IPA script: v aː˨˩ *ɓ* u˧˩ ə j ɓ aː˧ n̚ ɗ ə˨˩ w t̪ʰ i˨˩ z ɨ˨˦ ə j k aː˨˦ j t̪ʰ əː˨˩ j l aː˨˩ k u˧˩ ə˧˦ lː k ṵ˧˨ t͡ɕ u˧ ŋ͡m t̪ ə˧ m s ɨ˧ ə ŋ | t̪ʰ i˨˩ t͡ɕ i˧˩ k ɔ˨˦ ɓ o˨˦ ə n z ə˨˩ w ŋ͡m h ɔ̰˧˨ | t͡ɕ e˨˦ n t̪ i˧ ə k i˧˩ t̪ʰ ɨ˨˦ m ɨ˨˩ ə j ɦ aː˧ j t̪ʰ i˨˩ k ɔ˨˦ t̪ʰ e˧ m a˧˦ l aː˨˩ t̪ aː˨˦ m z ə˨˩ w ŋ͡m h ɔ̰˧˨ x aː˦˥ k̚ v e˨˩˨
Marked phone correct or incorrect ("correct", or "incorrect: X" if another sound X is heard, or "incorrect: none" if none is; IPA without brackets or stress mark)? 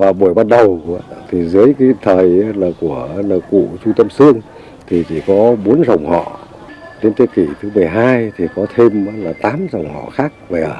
correct